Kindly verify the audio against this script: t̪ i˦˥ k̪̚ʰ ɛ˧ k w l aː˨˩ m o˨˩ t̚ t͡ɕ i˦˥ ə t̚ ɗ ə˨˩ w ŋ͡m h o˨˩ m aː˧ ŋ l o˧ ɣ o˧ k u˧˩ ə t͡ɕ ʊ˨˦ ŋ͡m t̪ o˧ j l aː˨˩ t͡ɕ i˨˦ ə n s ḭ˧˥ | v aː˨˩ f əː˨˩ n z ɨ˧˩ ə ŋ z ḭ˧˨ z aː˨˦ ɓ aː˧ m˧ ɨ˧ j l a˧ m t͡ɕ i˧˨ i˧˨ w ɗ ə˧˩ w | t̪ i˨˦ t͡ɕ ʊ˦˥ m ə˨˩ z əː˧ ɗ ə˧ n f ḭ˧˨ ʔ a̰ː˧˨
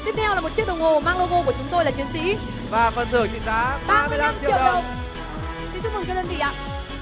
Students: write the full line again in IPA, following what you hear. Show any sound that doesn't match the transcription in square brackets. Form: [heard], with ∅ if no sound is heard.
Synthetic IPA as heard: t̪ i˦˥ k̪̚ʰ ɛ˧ [∅] w l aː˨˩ m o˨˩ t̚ t͡ɕ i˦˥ ə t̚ ɗ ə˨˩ w ŋ͡m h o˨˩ m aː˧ ŋ l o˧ ɣ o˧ k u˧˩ ə t͡ɕ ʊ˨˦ ŋ͡m t̪ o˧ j l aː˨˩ t͡ɕ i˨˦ ə n s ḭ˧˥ | v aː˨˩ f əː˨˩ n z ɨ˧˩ ə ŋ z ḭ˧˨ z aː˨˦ ɓ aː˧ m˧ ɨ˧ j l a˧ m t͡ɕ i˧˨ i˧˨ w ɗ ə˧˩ w | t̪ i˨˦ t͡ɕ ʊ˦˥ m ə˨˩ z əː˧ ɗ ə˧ n [v] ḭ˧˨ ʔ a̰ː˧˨